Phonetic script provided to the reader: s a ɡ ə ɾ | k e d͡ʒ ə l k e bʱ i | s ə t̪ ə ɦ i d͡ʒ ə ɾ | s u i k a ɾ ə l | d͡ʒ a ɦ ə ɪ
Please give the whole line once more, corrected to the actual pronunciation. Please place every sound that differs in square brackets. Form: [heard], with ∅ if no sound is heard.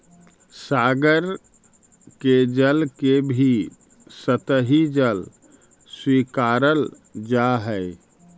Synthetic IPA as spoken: s a ɡ ə ɾ | k e d͡ʒ ə l k e bʱ i | s ə t̪ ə ɦ i d͡ʒ ə [l] | s [w] i k a ɾ ə l | d͡ʒ a ɦ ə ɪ